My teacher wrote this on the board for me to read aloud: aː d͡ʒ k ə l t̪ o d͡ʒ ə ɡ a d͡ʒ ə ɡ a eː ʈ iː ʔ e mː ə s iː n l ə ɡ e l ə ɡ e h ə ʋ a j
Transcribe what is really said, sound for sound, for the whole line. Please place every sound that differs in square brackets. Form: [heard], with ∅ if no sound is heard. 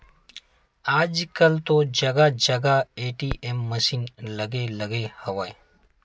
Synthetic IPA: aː d͡ʒ k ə l t̪ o d͡ʒ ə ɡ a d͡ʒ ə ɡ a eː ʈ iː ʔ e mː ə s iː n l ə ɡ e l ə ɡ e h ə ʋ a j